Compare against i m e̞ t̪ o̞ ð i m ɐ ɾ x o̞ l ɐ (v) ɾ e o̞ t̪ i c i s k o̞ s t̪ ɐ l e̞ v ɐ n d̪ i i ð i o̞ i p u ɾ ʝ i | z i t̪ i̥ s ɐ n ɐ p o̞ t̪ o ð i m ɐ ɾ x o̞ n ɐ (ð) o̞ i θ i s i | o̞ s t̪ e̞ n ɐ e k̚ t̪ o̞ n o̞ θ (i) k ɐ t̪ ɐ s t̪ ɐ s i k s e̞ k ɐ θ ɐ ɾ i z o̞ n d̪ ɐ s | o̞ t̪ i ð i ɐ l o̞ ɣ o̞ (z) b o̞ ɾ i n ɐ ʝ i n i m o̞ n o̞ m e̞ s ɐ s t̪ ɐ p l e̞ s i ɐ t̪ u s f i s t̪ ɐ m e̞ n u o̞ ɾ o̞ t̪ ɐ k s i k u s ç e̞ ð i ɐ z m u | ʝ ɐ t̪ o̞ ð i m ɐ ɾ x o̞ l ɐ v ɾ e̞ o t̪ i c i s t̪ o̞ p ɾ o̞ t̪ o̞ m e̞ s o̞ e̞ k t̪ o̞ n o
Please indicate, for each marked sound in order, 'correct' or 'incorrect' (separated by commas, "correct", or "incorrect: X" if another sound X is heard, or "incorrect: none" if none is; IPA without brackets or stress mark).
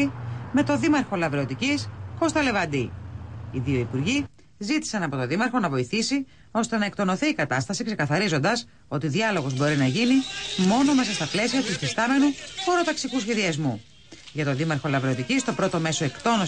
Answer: correct, incorrect: v, incorrect: iː, correct